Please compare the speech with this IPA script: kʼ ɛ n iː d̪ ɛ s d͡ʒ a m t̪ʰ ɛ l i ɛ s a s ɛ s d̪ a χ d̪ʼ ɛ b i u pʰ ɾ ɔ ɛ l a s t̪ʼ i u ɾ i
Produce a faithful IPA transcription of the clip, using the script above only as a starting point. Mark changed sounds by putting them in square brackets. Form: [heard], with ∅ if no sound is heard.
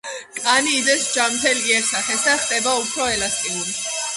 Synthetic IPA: kʼ [a] n iː d̪ ɛ s d͡ʒ a m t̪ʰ ɛ l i ɛ s a [χ] ɛ s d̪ a χ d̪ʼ ɛ b [a] u pʰ ɾ ɔ ɛ l a s t̪ʼ i u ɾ i

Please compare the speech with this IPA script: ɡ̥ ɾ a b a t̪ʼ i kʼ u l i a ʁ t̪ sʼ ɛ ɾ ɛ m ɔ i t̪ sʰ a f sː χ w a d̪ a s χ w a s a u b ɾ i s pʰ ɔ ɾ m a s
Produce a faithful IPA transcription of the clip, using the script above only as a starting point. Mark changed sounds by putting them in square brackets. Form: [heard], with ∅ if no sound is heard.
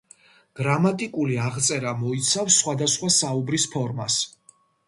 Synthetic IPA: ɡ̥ ɾ a [m] a t̪ʼ i kʼ u l i a ʁ t̪ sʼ ɛ ɾ [a] m ɔ i t̪ sʰ a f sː χ w a d̪ a s χ w a s a u b ɾ i s pʰ ɔ ɾ m a s

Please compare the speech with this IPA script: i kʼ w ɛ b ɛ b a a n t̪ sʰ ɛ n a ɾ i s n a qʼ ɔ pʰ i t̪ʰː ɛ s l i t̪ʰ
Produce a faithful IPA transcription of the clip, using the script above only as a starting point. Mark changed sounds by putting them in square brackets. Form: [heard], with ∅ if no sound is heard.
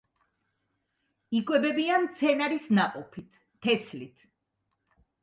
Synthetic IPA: i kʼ w ɛ b ɛ b [i] a n t̪ sʰ ɛ n a ɾ i s n a qʼ ɔ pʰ i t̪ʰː ɛ s l i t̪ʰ

